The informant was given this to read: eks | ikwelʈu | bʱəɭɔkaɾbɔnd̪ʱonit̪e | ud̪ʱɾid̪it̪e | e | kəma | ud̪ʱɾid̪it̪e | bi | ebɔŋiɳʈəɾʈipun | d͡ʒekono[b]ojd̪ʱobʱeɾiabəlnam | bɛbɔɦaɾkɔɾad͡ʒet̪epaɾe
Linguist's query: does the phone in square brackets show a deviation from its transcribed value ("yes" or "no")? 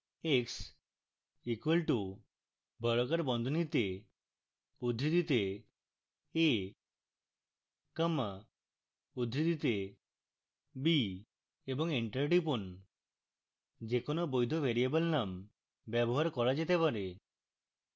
no